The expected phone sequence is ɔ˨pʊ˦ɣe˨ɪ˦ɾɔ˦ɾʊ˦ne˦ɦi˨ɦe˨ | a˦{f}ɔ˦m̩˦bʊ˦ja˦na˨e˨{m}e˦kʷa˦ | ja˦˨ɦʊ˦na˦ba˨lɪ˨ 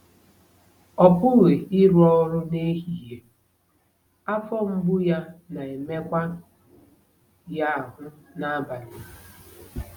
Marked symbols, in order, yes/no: yes, yes

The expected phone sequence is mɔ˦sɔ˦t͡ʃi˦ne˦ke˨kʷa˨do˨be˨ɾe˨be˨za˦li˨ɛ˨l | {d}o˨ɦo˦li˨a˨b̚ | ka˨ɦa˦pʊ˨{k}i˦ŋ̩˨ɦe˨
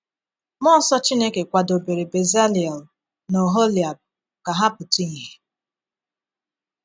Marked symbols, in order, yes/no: no, no

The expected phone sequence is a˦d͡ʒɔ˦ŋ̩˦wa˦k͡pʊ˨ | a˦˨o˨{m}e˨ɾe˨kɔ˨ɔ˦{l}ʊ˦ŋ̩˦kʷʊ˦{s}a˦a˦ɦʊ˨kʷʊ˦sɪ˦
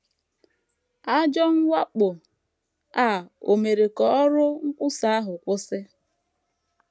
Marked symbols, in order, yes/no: yes, no, yes

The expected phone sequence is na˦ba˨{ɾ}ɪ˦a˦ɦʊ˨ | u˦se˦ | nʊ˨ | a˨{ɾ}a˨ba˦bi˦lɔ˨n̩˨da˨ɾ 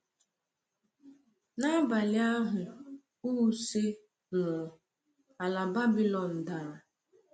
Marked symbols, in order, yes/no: no, no

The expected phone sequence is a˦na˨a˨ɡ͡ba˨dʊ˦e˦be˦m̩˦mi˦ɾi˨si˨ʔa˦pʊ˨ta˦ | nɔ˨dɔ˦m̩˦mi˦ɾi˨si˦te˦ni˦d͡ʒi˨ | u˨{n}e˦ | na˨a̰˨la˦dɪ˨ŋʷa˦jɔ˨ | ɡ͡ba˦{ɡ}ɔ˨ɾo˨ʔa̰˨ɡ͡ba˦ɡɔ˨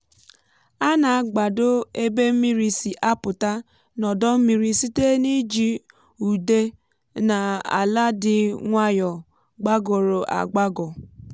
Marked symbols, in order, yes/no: no, yes

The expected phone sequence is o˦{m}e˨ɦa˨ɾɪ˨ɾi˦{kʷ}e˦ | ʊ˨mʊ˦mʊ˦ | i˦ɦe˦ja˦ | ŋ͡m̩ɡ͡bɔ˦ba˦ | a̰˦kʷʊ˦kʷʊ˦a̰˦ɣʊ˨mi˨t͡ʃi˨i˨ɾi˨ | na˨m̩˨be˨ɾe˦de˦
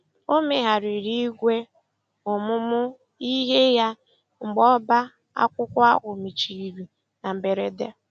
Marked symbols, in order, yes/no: yes, no

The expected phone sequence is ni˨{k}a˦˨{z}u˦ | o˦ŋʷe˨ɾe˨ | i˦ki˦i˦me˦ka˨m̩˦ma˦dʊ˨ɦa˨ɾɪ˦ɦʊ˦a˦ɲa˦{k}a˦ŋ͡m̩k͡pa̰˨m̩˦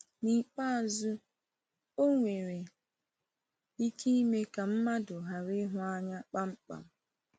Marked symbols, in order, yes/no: no, yes, no

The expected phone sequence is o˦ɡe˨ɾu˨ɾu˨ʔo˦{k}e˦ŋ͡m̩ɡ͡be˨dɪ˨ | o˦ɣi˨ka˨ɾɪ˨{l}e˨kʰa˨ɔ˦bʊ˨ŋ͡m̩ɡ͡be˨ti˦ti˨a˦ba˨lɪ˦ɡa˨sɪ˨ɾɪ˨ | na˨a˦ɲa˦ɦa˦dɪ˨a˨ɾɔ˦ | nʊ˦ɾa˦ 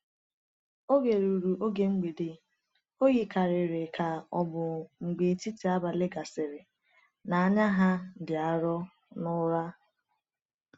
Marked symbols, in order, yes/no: no, no

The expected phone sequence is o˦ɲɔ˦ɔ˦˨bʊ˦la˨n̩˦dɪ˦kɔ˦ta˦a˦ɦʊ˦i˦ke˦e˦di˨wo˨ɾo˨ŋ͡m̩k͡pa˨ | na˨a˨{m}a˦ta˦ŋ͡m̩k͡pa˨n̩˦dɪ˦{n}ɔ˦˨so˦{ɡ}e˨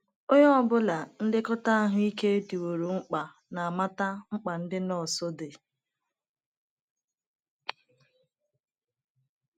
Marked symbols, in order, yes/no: yes, yes, no

